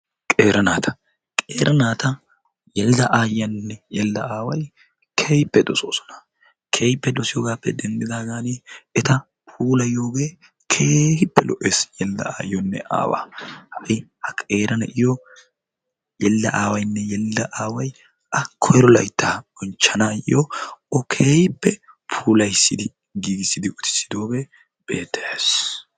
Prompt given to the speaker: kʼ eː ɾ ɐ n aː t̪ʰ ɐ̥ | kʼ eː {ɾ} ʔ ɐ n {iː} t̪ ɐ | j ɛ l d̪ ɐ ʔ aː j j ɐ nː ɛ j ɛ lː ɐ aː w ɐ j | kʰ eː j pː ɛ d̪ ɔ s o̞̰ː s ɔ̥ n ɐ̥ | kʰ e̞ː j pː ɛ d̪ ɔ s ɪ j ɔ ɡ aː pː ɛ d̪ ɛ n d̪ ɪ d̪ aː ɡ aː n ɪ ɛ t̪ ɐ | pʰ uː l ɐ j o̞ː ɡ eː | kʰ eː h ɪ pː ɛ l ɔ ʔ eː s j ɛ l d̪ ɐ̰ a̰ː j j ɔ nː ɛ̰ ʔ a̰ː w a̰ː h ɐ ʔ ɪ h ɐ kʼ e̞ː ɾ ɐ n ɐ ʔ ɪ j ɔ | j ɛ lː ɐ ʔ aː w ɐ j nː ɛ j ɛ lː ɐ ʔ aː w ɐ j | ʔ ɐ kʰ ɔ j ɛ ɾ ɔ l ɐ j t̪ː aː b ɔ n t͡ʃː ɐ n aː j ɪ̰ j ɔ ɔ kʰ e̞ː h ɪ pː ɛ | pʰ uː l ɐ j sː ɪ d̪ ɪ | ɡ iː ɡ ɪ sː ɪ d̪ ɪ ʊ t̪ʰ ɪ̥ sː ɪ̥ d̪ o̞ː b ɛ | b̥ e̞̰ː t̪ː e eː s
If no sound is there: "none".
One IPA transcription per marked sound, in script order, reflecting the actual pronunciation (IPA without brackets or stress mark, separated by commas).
ɾ, aː